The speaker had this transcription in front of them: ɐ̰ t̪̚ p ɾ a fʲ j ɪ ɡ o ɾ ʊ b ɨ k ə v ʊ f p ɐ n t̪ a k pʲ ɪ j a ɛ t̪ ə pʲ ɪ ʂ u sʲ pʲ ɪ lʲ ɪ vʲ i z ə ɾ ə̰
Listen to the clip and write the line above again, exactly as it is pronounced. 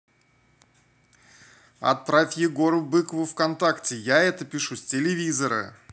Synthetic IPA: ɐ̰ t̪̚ p ɾ a fʲ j ɪ ɡ o ɾ ʊ b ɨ k ə v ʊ f k ɐ n t̪ a k tʲ ɪ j a ɛ t̪ ə pʲ ɪ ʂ u sʲ tʲ ɪ lʲ ɪ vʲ i z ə ɾ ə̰